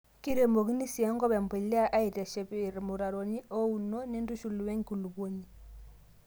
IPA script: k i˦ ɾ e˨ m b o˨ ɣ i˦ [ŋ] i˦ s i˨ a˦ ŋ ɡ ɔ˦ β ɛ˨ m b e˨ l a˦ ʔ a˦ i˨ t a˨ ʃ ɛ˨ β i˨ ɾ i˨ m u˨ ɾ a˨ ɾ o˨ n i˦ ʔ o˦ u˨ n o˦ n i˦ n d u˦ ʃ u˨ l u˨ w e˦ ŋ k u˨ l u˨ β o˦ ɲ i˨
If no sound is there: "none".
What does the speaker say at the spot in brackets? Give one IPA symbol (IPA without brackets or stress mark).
n